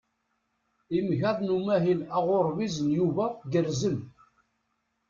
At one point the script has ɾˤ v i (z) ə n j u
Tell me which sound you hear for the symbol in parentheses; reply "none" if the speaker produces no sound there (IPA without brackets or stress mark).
z